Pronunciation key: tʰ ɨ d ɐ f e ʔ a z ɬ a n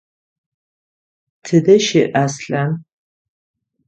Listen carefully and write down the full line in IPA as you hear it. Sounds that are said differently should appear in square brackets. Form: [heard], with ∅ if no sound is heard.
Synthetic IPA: tʰ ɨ d ɐ [ʃ] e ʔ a [s] ɬ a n

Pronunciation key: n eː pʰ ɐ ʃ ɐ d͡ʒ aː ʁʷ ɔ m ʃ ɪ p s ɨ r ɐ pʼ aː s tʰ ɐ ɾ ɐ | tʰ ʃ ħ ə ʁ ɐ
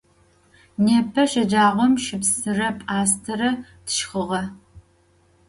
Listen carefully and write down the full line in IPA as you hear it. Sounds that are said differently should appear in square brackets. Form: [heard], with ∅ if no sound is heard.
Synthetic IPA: n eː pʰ ɐ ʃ ɐ d͡ʒ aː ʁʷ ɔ m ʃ ɪ p s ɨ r ɐ pʼ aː s tʰ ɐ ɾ ɐ | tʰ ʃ [χ] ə ʁ ɐ

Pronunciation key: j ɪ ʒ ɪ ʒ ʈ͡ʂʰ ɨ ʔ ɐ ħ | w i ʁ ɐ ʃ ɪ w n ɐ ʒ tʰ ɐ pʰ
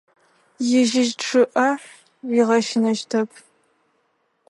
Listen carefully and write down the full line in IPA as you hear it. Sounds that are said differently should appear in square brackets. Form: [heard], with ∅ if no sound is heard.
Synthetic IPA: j ɪ ʒ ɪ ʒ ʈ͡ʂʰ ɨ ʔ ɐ ħ | w i ʁ ɐ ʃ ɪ [∅] n ɐ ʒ tʰ ɐ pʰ

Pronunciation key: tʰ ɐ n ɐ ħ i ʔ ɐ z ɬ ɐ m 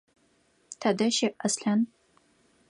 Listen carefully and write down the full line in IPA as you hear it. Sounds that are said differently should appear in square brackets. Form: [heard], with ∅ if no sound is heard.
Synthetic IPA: tʰ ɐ [d] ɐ [ʃ] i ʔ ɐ [s] ɬ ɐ [n]

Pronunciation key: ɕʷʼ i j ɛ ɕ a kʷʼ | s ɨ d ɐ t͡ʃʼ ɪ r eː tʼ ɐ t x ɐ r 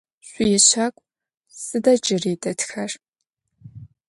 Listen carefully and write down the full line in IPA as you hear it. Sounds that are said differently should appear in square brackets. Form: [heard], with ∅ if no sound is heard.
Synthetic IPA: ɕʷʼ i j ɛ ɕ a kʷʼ | s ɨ d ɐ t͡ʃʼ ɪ r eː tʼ ɐ t x ɐ r

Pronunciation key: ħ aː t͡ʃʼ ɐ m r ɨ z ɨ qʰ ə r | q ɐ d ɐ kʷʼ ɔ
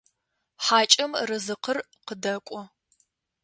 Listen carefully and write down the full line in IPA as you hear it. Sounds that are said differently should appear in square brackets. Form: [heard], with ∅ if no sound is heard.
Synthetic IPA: ħ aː t͡ʃʼ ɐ m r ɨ z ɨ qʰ ə r | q [ə] d ɐ kʷʼ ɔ

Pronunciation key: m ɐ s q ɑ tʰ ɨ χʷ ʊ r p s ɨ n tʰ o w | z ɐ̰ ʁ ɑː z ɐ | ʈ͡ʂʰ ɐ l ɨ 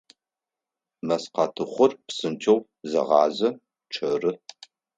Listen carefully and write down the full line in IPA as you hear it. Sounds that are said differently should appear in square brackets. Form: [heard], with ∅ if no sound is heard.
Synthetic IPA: m ɐ s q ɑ tʰ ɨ χʷ ʊ r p s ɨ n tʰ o w | z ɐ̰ ʁ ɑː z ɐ | ʈ͡ʂʰ ɐ [r] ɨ

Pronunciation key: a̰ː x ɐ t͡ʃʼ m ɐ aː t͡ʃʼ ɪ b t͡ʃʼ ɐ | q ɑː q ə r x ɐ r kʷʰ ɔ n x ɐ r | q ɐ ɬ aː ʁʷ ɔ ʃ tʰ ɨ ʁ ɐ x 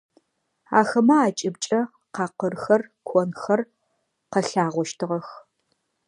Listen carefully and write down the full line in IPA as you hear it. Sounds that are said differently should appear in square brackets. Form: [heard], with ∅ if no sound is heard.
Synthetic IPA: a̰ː x ɐ [∅] m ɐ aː t͡ʃʼ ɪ b t͡ʃʼ ɐ | q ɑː q ə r x ɐ r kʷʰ ɔ n x ɐ r | q ɐ ɬ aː ʁʷ ɔ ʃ tʰ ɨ ʁ ɐ x

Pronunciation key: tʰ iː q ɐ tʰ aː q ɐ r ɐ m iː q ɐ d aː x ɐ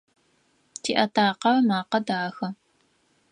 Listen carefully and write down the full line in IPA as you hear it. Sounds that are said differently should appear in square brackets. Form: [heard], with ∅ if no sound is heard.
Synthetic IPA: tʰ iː [ʔ] ɐ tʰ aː q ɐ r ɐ m [aː] q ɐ d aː x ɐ

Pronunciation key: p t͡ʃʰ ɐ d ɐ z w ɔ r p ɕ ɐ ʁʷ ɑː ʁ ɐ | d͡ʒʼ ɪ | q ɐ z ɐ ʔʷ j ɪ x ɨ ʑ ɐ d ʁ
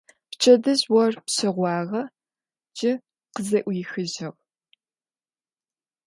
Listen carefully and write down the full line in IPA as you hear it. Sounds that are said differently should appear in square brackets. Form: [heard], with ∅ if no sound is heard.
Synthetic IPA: p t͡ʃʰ ɐ d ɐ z w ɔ r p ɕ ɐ ʁʷ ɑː ʁ ɐ | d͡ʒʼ ɪ | q [ə] z ɐ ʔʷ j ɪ x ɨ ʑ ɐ [∅] ʁ

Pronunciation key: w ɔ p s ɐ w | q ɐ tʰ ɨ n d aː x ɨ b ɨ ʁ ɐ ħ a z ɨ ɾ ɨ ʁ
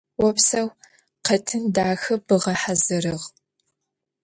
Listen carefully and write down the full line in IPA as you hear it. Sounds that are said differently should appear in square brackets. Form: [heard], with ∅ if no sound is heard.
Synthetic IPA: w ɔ p s ɐ w | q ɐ tʰ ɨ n d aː x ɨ b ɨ ʁ ɐ ħ a z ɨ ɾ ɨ ʁ

